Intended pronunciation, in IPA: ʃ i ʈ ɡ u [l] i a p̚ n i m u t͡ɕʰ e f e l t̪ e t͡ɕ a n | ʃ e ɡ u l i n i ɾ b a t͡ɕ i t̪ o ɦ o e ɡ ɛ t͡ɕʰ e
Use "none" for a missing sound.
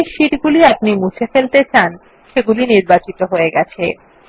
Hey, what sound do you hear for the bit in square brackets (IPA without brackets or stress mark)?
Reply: l